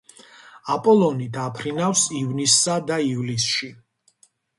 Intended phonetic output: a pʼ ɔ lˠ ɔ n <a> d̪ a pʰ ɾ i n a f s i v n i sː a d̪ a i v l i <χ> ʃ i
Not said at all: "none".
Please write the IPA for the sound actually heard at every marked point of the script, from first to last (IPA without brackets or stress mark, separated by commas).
i, s